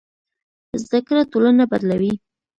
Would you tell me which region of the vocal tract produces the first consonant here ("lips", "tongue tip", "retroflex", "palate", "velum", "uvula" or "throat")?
tongue tip